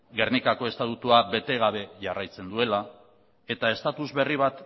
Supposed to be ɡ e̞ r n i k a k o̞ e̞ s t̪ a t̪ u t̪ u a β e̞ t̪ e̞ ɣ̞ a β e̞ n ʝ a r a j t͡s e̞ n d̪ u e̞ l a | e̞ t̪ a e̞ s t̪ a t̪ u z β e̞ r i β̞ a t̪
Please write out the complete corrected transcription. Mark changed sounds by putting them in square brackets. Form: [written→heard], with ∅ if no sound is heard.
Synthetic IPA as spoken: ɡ e̞ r n i k a k o̞ e̞ s t̪ a t̪ u t̪ u a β e̞ t̪ e̞ ɣ̞ a β e̞ [n→∅] ʝ a r a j t͡s e̞ n d̪ u e̞ l a | e̞ t̪ a e̞ s t̪ a t̪ u z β e̞ r i β̞ a t̪